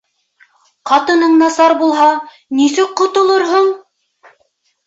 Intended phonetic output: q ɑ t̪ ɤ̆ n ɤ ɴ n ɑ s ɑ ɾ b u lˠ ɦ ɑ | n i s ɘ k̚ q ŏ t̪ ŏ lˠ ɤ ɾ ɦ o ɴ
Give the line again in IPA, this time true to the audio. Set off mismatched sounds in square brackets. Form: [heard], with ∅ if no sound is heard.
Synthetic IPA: q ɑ t̪ ɤ̆ n ɤ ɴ n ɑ s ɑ ɾ b u lˠ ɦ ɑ | n i s ɘ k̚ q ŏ t̪ ŏ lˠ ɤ ɾ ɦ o ɴ